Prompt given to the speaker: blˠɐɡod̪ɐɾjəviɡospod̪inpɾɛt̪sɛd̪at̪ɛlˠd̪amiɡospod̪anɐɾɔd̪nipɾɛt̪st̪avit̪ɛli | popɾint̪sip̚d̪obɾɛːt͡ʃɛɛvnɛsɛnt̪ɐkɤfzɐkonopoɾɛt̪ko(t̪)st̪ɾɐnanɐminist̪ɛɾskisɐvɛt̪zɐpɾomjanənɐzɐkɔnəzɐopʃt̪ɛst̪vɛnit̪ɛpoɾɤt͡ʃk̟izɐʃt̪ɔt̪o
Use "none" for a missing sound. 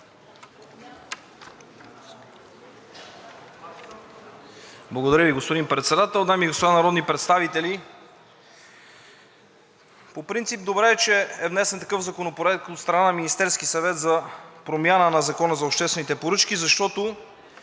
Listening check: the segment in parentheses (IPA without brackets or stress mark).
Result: t̪